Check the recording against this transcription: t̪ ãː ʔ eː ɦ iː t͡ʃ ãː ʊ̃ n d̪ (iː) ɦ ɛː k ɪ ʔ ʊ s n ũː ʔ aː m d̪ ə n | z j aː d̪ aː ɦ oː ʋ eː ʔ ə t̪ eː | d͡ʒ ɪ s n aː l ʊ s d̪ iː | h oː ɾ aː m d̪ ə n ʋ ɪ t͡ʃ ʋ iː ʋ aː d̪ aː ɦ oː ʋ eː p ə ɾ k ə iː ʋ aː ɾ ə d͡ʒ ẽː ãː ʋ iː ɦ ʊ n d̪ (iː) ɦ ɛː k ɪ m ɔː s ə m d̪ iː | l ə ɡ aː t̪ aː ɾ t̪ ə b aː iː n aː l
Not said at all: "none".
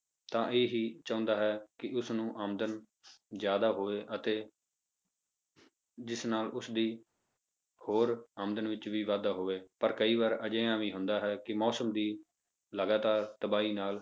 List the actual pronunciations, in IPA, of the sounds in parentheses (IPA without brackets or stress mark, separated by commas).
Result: aː, aː